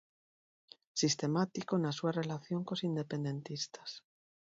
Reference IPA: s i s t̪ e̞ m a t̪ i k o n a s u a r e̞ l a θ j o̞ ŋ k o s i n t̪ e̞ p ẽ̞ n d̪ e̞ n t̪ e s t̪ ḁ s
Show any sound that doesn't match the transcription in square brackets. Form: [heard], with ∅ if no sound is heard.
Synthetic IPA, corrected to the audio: s i s t̪ e̞ m a t̪ i k o n a s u a r e̞ l a θ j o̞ ŋ k o s i n [d̪] e̞ p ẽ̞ n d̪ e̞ n t̪ [i] s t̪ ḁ s